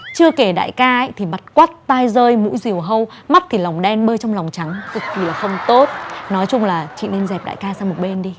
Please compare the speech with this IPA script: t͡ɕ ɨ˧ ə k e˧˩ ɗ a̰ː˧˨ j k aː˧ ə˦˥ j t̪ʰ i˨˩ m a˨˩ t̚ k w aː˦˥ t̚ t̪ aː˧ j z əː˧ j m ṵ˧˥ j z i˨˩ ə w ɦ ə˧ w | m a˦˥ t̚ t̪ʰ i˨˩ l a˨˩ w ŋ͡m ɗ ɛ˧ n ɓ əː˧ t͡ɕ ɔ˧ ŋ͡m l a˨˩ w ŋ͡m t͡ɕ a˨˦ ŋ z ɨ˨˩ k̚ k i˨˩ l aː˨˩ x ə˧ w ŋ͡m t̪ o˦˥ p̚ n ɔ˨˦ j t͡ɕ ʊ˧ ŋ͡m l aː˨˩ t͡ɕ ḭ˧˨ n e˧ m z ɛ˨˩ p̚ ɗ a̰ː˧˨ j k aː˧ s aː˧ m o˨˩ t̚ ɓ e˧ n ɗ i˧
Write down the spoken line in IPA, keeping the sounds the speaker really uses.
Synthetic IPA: t͡ɕ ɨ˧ ə k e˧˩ ɗ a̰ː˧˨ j k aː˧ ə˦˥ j t̪ʰ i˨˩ m a˨˩ t̚ k w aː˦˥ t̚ t̪ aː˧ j z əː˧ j m ṵ˧˥ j z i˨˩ ə w ɦ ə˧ w | m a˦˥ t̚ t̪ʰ i˨˩ l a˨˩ w ŋ͡m ɗ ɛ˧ n ɓ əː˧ t͡ɕ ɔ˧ ŋ͡m l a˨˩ w ŋ͡m t͡ɕ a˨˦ ŋ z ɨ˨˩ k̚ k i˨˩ l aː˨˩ x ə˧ w ŋ͡m t̪ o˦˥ t̚ n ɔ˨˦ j t͡ɕ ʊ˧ ŋ͡m l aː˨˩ t͡ɕ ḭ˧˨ n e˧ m z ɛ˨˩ p̚ ɗ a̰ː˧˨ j k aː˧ s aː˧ m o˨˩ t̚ ɓ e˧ n ɗ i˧

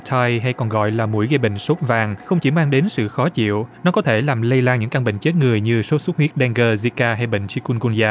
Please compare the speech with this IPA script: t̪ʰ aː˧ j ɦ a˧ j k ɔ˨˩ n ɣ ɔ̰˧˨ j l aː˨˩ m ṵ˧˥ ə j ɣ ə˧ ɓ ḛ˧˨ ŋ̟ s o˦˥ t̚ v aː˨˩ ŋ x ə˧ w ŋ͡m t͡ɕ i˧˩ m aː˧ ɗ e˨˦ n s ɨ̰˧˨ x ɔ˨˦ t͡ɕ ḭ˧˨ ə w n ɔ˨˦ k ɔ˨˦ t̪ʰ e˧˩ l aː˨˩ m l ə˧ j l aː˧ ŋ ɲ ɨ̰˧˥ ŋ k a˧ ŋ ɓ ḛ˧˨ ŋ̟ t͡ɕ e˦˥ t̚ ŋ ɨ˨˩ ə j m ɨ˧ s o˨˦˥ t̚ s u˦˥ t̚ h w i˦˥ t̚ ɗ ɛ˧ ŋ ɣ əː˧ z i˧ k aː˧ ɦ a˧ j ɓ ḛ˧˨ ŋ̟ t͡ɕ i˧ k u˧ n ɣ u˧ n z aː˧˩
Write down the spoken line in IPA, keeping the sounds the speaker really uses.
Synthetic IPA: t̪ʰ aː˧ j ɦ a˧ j k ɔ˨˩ n ɣ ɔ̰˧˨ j l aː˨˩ m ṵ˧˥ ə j ɣ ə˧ ɓ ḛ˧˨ ŋ̟ s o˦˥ t̚ v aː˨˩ ŋ x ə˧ w ŋ͡m t͡ɕ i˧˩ m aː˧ ɗ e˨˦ n s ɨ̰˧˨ x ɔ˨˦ t͡ɕ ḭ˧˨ ə w n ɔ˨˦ k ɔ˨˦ t̪ʰ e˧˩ l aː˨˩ m l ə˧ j l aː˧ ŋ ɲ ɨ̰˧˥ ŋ k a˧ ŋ ɓ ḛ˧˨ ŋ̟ t͡ɕ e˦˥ t̚ ŋ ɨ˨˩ ə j ɲ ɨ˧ s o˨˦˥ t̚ s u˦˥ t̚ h w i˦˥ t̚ ɗ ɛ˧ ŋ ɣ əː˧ z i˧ k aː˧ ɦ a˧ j ɓ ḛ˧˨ ŋ̟ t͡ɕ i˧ k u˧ n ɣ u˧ n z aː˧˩

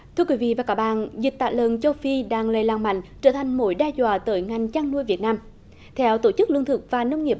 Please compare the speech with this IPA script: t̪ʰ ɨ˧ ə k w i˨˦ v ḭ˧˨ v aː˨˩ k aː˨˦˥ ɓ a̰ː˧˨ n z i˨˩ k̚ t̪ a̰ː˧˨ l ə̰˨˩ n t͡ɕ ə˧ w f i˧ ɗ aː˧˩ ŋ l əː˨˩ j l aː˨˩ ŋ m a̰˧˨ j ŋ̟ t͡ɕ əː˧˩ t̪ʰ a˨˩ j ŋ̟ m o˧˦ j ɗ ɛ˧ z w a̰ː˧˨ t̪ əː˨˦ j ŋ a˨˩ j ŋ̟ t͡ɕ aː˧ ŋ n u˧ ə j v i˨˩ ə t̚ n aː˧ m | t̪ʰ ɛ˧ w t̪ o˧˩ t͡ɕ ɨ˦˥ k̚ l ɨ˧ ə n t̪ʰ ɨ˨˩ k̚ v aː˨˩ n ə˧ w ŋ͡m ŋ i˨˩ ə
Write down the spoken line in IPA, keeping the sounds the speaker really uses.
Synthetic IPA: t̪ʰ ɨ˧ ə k w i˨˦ v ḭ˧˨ v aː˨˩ k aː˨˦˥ ɓ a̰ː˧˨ n z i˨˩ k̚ t̪ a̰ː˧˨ l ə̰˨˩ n t͡ɕ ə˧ w f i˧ ɗ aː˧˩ ŋ l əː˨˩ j l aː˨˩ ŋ m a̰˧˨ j ŋ̟ t͡ɕ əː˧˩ t̪ʰ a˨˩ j ŋ̟ m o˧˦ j ɗ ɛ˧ z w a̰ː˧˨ t̪ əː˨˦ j ŋ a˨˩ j ŋ̟ t͡ɕ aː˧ ŋ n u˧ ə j v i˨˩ ə t̚ n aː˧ m | t̪ʰ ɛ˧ w t̪ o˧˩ t͡ɕ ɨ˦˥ k̚ l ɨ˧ ə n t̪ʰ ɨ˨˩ k̚ v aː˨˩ n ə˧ w ŋ͡m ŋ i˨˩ ə

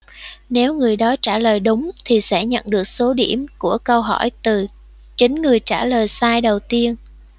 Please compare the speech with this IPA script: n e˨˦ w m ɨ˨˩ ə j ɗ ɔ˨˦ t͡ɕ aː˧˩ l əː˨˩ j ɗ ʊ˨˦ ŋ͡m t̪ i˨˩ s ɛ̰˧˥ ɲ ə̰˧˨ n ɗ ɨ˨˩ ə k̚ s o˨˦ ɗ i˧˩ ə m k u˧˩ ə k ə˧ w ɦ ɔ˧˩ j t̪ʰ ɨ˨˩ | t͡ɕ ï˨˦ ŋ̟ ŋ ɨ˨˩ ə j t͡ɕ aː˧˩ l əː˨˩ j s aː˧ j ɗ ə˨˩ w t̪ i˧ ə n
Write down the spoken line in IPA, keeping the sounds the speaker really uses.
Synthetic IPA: n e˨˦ w ŋ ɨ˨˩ ə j ɗ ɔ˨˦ t͡ɕ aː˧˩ l əː˨˩ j ɗ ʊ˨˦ ŋ͡m t̪ʰ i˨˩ s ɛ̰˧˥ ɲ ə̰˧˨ n ɗ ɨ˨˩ ə k̚ s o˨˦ ɗ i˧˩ ə m k u˧˩ ə k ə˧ w ɦ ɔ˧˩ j t̪ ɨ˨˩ | t͡ɕ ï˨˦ ŋ̟ ŋ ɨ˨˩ ə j t͡ɕ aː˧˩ l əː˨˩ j s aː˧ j ɗ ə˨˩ w t̪ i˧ ə n

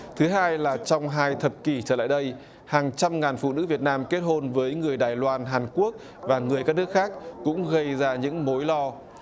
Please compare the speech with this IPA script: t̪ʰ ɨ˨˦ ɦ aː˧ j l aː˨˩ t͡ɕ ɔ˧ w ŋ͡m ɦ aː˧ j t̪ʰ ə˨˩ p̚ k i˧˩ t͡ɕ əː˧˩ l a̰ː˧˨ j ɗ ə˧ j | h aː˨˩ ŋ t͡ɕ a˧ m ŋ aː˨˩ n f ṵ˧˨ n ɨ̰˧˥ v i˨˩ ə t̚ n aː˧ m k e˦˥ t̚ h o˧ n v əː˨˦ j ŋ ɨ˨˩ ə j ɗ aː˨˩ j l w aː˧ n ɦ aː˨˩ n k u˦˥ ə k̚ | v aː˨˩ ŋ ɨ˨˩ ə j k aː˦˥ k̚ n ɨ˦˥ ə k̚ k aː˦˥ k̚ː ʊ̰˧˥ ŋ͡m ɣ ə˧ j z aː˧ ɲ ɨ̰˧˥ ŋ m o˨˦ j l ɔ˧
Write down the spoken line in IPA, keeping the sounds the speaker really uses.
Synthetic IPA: t̪ʰ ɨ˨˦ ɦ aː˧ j l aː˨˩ t͡ɕ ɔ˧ w ŋ͡m ɦ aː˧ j t̪ʰ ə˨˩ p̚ k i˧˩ t͡ɕ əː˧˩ l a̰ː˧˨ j ɗ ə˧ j | h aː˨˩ ŋ t͡ɕ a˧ m ŋ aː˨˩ n f ṵ˧˨ n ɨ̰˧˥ v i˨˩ ə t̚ n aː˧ m k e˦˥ t̚ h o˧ n v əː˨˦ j ŋ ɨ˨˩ ə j ɗ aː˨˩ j l w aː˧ n ɦ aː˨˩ n k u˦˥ ə k̚ | v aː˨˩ ŋ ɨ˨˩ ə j k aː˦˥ k̚ n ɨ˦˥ ə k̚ x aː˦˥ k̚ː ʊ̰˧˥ ŋ͡m ɣ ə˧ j z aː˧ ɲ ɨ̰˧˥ ŋ m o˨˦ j l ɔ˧

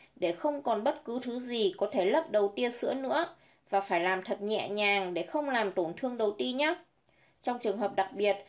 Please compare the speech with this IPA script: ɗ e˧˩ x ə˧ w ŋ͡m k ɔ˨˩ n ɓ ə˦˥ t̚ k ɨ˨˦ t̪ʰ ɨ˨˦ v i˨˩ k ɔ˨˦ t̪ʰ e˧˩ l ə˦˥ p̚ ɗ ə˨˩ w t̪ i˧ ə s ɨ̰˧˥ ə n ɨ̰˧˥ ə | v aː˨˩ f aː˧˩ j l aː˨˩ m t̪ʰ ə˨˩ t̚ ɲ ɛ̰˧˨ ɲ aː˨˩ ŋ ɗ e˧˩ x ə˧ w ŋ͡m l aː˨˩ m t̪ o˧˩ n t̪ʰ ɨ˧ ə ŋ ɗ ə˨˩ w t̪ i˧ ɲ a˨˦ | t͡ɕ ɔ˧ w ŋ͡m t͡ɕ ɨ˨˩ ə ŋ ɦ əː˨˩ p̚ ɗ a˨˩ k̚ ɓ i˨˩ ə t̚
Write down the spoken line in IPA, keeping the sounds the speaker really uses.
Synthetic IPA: ɗ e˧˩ x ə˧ w ŋ͡m k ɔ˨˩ n ɓ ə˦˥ t̚ k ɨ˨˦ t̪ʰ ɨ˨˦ z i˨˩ k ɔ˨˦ t̪ʰ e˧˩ l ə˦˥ p̚ ɗ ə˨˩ w t̪ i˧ ə s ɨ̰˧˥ ə n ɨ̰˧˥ ə | v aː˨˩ f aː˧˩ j l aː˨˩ m t̪ʰ ə˨˩ t̚ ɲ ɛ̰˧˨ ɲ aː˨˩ ŋ ɗ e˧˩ x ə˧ w ŋ͡m l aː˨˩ m t̪ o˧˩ n t̪ʰ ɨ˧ ə ŋ ɗ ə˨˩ w t̪ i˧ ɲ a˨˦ | t͡ɕ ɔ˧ w ŋ͡m t͡ɕ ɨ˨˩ ə ŋ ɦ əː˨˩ p̚ ɗ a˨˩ k̚ ɓ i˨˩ ə t̚

